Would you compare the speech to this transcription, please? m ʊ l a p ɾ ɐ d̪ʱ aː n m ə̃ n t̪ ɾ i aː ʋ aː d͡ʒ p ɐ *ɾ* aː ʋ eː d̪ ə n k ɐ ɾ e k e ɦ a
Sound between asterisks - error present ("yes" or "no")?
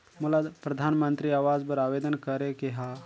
no